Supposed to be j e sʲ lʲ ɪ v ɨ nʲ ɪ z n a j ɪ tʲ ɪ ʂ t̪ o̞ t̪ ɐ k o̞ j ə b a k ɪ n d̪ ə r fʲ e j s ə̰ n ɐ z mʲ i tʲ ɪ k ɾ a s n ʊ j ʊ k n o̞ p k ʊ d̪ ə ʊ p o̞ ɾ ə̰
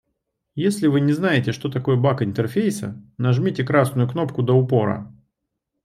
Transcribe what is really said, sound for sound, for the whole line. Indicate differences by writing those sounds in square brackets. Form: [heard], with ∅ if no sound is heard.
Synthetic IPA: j e sʲ lʲ ɪ v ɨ nʲ ɪ z n a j ɪ tʲ ɪ ʂ t̪ o̞ t̪ ɐ k o̞ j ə b a k ɪ n [t̪] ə r fʲ e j s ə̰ n ɐ [ʐ] mʲ i tʲ ɪ k ɾ a s n ʊ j ʊ k n o̞ p k ʊ d̪ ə ʊ p o̞ ɾ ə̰